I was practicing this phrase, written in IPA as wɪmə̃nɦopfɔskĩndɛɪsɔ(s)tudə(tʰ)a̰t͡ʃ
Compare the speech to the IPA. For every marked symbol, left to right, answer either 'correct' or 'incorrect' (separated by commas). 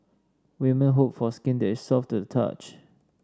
incorrect, correct